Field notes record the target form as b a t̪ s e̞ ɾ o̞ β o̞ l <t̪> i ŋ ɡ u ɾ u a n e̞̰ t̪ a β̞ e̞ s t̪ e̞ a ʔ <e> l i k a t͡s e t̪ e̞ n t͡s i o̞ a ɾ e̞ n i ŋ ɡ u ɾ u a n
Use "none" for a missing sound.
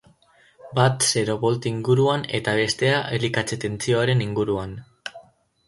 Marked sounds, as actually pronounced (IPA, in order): t̪, e

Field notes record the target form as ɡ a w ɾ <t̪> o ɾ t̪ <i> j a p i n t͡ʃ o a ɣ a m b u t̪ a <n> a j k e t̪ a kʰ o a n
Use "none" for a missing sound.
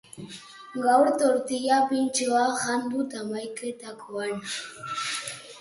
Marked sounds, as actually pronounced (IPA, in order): t̪, i, m

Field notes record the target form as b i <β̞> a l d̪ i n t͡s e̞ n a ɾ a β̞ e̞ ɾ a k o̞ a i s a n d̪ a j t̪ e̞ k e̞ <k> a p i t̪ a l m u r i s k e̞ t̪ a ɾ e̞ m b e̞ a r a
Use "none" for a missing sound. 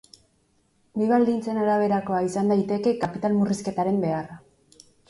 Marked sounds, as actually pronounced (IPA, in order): β̞, k

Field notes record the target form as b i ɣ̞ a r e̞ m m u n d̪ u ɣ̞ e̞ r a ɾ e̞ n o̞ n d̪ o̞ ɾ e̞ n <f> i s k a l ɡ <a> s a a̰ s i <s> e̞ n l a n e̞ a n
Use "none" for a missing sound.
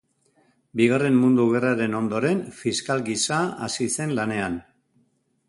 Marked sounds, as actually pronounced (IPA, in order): f, i, s

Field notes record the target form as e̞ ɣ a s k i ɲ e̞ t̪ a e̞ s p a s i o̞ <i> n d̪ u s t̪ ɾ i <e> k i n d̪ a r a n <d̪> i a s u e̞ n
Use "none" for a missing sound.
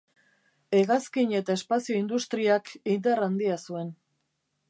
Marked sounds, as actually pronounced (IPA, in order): i, a, d̪

